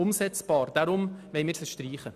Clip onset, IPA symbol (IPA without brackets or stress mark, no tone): ʊ